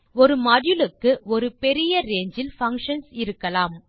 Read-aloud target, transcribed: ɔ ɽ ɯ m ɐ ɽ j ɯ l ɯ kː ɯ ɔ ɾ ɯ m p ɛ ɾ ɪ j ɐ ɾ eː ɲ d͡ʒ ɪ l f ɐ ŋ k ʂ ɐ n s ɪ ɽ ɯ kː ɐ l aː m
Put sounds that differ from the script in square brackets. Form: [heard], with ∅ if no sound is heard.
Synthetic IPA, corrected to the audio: ɔ [ɾ] ɯ m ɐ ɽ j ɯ l ɯ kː ɯ ɔ ɾ ɯ [∅] p ɛ ɾ ɪ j ɐ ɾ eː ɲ d͡ʒ ɪ l f ɐ ŋ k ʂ ɐ n s ɪ [ɾ] ɯ kː ɐ l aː m